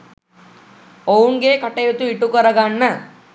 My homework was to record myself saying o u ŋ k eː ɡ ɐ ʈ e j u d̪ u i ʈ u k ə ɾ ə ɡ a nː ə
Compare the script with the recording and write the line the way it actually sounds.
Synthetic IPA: o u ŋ ɡ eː k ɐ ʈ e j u t̪ u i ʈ u k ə ɾ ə ɡ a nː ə